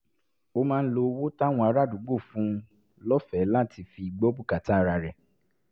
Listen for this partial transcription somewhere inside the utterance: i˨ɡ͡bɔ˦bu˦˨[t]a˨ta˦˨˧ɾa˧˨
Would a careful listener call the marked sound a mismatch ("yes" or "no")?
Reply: yes